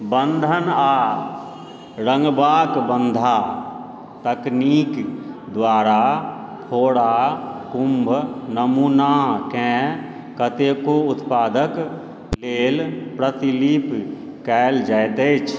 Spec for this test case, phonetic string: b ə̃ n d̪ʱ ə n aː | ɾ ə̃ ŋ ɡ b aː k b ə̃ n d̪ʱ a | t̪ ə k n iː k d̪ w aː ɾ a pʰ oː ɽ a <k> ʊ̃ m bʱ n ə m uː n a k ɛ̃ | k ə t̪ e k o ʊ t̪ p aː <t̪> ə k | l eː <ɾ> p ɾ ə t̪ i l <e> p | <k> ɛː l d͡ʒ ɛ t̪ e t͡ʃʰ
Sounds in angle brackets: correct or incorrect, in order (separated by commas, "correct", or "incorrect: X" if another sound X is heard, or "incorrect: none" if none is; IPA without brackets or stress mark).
correct, incorrect: d̪, incorrect: l, incorrect: i, correct